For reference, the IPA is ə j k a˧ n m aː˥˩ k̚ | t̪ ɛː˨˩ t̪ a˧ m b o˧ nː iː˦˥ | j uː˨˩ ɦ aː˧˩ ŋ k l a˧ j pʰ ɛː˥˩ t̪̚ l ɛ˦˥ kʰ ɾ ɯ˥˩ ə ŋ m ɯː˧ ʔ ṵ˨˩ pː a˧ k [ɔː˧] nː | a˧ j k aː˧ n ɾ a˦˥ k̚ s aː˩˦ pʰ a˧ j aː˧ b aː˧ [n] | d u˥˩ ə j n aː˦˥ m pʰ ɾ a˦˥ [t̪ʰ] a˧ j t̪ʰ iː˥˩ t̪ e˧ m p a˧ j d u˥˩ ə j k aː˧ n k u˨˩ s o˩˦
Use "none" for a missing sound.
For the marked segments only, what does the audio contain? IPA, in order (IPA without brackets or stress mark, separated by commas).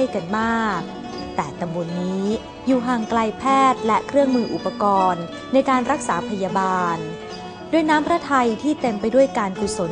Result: ɔː˧, n, t̪ʰ